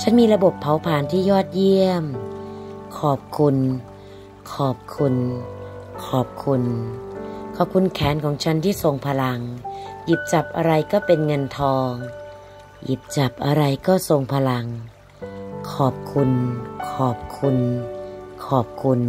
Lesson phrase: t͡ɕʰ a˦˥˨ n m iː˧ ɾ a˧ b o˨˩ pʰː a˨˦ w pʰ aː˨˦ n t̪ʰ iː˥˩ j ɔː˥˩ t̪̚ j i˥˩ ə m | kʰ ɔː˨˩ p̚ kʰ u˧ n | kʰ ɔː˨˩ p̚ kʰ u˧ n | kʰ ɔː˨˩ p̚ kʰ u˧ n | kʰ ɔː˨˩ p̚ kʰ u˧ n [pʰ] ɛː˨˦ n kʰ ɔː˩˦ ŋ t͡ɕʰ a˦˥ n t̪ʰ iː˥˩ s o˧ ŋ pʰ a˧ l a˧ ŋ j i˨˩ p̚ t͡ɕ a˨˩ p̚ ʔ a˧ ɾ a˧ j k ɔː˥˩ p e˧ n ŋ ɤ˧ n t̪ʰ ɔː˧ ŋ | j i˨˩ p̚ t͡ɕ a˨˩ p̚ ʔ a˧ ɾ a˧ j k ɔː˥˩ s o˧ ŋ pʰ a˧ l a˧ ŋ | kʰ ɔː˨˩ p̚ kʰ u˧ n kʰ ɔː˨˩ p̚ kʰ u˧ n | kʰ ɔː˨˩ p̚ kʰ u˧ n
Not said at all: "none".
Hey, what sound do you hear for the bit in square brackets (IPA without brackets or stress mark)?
kʰ